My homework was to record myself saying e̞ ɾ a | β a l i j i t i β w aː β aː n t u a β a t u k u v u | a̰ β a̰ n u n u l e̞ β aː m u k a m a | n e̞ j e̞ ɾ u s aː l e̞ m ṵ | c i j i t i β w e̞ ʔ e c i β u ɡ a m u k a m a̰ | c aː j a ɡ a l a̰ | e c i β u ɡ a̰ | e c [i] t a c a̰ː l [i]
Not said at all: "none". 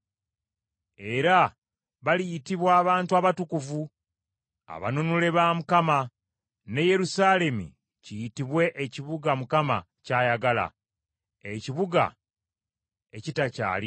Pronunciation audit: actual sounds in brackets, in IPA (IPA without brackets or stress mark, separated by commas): i, i